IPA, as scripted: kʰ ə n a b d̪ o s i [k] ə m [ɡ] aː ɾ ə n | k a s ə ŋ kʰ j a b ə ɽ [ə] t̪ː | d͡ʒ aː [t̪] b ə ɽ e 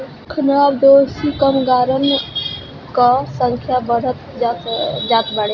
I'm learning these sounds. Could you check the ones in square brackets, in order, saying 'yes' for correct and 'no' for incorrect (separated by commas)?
yes, yes, yes, yes